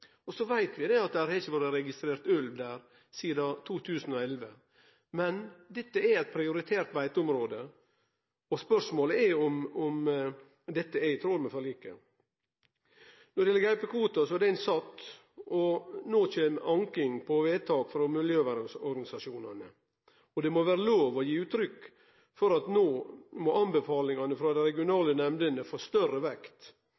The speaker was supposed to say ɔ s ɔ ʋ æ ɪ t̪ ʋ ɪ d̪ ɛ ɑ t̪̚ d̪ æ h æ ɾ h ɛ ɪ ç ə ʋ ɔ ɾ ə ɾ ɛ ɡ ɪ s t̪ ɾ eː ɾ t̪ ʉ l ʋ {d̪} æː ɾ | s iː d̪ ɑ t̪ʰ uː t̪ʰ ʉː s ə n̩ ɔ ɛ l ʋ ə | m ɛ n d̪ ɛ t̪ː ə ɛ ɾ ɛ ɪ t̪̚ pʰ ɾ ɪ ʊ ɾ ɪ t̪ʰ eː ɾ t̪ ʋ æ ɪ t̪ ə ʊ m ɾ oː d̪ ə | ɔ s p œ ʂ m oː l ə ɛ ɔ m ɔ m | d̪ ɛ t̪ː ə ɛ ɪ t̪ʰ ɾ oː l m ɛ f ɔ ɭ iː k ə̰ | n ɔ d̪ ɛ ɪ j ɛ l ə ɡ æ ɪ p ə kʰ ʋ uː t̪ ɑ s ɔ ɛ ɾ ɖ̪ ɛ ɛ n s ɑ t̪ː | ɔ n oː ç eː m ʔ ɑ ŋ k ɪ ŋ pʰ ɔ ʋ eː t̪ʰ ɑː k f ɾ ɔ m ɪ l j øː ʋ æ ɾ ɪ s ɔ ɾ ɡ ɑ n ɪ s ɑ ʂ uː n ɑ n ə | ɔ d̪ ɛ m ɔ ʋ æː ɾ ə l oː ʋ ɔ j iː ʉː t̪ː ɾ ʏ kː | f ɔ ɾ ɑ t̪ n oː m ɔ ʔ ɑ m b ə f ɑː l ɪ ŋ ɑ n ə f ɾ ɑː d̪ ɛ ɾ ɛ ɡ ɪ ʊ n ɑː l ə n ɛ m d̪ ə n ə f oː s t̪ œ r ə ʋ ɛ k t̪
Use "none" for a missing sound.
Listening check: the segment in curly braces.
d̪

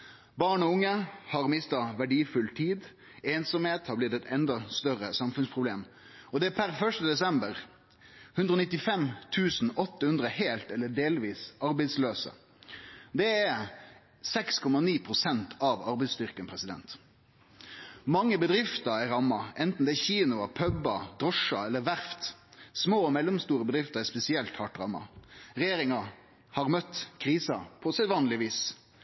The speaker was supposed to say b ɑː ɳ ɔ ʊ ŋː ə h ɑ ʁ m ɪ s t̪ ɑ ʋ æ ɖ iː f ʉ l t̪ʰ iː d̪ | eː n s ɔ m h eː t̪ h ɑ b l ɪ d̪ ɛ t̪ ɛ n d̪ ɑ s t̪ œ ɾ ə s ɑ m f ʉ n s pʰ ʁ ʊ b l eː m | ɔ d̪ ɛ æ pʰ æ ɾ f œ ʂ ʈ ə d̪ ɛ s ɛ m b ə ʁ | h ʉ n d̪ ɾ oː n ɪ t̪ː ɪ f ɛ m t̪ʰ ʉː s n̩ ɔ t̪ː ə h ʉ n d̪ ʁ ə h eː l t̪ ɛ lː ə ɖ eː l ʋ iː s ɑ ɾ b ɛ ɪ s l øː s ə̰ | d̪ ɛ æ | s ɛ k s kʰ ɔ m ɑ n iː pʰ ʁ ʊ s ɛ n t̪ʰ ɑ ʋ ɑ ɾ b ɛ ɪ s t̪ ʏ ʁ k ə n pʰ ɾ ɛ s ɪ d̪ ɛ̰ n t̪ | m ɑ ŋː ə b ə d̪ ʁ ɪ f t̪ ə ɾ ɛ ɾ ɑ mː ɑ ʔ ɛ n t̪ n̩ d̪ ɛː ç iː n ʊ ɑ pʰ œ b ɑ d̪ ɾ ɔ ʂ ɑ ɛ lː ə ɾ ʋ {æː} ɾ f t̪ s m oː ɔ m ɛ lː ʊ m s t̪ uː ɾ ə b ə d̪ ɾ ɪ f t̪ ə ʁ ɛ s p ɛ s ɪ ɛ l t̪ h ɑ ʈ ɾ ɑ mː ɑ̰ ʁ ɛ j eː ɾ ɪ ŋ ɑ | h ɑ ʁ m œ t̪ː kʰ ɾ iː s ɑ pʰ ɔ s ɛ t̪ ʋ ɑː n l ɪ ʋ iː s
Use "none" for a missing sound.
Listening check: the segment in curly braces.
æ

